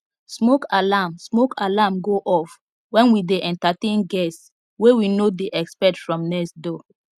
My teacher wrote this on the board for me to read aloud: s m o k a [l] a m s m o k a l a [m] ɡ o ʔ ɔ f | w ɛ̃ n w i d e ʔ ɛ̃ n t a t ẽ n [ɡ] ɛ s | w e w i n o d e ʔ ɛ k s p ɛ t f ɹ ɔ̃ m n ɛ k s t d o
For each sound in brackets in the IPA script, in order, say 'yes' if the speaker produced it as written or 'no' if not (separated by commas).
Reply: yes, yes, yes